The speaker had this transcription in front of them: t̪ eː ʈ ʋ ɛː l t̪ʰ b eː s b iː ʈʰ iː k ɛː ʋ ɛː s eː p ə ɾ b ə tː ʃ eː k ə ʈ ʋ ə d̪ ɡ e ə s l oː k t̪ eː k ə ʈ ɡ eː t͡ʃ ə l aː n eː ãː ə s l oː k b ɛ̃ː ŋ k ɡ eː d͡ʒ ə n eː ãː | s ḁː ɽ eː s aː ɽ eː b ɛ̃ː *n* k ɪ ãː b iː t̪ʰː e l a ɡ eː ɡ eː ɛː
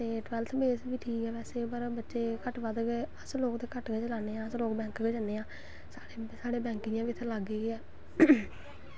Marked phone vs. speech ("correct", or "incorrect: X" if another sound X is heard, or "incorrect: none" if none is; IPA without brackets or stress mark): incorrect: ŋ